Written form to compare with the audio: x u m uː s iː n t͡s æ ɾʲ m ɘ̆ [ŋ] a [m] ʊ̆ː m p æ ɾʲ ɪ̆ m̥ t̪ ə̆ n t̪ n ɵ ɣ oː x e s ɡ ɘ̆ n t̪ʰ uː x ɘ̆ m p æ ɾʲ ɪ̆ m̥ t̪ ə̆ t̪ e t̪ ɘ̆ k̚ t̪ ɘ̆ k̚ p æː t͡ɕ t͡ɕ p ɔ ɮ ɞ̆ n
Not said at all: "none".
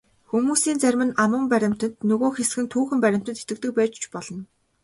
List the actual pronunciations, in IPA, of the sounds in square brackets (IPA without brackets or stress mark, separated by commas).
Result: n, m